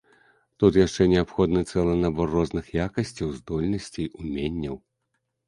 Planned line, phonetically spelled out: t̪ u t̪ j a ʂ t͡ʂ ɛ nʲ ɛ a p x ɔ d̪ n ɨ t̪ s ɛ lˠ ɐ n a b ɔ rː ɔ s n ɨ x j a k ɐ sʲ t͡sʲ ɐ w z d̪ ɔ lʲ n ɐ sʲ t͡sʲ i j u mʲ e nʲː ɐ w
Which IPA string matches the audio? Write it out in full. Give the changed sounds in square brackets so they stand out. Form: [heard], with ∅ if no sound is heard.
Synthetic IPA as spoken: t̪ u t̪ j a ʂ t͡ʂ ɛ nʲ ɛ a p x ɔ d̪ n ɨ t̪ s ɛ lˠ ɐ n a b ɔ rː ɔ [z] n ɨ x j a k ɐ sʲ t͡sʲ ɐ w z d̪ ɔ lʲ n ɐ sʲ t͡sʲ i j u mʲ e nʲː ɐ w